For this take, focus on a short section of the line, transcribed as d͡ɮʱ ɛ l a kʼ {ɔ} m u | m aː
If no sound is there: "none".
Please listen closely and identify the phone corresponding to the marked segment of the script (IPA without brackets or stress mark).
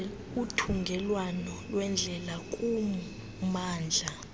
u